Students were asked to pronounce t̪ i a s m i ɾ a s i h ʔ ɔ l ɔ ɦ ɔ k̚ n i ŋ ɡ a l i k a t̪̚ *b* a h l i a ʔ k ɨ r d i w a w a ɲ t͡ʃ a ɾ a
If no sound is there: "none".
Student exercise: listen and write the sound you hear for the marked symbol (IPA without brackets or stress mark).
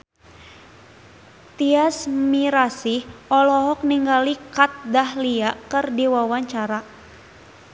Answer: d